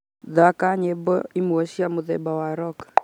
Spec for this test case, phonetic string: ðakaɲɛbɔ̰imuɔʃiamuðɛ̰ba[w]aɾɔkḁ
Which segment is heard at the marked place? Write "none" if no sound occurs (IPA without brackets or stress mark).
w